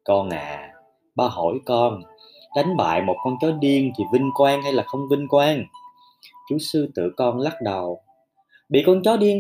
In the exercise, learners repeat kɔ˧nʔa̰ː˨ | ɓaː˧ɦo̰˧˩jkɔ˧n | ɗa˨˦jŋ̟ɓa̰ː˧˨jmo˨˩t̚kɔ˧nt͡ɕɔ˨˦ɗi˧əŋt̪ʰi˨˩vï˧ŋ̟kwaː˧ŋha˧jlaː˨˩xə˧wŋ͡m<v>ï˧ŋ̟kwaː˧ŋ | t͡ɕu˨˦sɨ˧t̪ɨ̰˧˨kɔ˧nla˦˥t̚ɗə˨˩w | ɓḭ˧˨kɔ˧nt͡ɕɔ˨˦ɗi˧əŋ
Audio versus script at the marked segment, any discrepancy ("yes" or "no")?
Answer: no